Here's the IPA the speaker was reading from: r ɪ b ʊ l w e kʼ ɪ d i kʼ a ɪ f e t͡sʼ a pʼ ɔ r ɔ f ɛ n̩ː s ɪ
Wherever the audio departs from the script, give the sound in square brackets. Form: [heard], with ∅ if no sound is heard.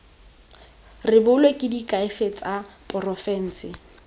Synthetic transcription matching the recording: r ɪ b ʊ l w e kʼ ɪ d i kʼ a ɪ f e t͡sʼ a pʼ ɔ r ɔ f ɛ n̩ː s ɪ